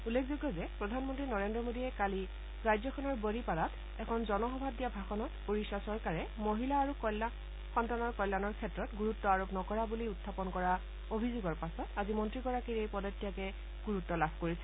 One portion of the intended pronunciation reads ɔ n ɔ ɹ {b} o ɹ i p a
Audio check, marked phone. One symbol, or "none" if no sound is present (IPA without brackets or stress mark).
b